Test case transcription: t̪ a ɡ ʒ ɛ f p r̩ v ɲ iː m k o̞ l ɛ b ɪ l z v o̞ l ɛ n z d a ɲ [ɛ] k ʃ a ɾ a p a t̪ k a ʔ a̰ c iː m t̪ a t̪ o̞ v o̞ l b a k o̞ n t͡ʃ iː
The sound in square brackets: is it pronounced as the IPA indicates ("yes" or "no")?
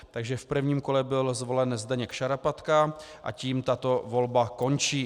yes